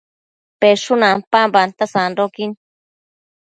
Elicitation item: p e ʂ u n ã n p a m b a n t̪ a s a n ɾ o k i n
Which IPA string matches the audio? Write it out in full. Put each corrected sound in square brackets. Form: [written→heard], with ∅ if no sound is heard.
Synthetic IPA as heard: p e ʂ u n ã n p a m b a n t̪ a s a n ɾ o k i n